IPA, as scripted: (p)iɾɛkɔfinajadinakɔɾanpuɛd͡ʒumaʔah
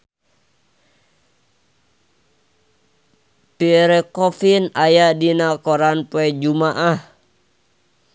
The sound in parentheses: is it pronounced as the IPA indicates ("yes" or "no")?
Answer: yes